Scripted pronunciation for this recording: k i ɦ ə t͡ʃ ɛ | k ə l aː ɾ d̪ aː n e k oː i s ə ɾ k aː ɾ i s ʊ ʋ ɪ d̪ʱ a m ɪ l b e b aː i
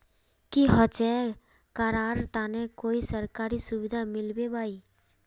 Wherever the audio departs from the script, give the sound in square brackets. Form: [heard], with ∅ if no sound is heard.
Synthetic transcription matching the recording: k i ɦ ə t͡ʃ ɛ | k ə [ɾ] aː ɾ [t̪] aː n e k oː i s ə ɾ k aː ɾ i s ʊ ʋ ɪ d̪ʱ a m ɪ l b e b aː i